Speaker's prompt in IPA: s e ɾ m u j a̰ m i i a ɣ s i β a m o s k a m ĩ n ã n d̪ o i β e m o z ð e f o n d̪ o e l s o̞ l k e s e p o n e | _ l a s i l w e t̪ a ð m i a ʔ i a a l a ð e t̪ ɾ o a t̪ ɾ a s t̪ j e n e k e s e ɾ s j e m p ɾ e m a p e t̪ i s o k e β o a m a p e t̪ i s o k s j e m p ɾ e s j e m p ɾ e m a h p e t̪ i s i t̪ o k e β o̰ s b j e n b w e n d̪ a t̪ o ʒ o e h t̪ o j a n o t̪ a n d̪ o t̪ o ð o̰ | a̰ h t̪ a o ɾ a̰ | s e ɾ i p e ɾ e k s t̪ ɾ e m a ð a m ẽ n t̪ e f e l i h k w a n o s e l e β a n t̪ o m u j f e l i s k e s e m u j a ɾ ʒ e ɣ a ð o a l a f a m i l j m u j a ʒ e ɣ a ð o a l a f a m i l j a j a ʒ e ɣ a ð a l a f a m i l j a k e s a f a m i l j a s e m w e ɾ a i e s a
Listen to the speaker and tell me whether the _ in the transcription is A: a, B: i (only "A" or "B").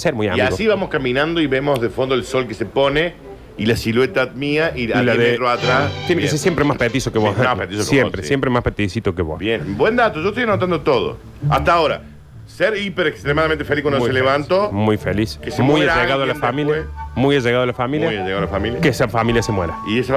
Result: B